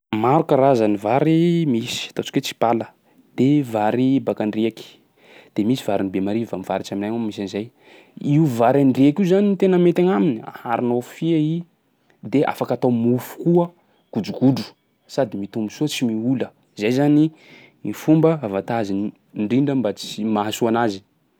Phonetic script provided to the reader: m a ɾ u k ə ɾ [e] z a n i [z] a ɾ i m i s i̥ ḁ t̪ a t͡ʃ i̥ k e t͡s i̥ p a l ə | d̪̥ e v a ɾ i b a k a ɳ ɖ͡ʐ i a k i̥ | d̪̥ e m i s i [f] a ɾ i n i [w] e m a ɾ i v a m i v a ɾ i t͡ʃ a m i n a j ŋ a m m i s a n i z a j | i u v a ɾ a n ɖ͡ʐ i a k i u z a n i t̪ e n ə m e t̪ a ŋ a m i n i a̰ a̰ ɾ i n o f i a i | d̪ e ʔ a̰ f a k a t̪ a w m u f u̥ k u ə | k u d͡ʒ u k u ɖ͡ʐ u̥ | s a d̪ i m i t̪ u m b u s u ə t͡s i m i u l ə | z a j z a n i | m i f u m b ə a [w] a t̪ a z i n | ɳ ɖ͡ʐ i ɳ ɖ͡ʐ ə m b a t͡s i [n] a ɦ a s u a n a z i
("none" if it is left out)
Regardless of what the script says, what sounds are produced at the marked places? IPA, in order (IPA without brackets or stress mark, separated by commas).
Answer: a, v, v, b, v, m